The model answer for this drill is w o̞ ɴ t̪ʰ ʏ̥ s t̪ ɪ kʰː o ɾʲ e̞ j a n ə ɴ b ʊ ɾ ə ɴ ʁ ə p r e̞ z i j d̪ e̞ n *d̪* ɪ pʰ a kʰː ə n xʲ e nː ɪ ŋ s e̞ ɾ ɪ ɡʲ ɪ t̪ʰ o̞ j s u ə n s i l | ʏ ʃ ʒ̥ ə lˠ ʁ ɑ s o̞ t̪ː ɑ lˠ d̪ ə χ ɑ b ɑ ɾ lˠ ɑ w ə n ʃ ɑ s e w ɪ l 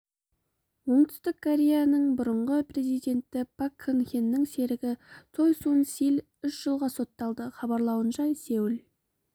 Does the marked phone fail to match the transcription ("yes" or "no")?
yes